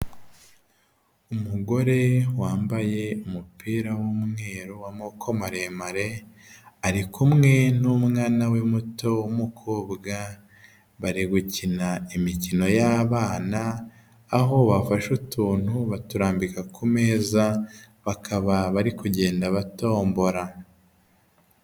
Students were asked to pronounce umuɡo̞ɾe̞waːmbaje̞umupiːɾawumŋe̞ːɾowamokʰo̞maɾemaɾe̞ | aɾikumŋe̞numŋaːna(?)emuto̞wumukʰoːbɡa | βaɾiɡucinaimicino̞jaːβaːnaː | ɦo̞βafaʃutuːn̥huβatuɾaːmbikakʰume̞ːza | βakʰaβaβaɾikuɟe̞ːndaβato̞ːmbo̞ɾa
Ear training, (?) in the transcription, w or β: w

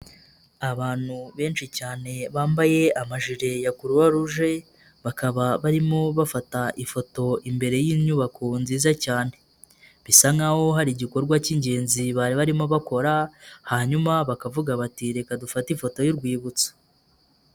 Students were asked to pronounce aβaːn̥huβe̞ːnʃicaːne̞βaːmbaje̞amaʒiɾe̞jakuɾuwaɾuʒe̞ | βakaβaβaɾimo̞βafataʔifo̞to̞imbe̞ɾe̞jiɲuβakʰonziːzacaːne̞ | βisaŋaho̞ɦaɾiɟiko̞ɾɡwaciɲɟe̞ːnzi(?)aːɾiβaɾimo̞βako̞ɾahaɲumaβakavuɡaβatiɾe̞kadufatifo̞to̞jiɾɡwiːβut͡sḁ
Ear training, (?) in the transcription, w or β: β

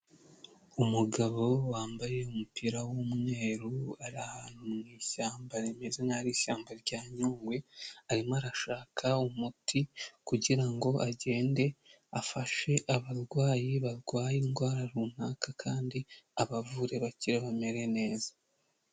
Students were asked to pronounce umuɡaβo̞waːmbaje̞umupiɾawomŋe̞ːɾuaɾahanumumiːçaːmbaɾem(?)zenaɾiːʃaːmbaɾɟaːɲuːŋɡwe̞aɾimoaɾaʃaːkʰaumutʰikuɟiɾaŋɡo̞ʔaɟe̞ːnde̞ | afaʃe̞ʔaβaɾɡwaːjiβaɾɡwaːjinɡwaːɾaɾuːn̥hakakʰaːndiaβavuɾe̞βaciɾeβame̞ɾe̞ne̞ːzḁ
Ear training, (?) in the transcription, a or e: e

